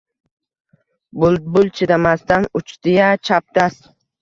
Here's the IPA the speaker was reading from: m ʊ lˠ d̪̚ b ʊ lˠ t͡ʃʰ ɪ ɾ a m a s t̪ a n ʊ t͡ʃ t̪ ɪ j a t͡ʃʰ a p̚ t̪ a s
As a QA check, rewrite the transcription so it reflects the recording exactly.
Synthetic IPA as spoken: b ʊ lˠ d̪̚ b ʊ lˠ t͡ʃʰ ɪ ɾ a m a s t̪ a n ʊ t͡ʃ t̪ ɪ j a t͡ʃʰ a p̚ t̪ a s